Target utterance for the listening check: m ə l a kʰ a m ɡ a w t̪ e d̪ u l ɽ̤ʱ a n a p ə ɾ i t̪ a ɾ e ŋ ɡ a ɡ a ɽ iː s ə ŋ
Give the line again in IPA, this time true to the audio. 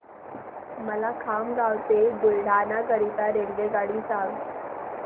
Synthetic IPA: m ə l a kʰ a m ɡ a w t̪ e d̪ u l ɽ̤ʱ a n a k ə ɾ i t̪ a ɾ e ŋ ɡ e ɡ a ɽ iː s a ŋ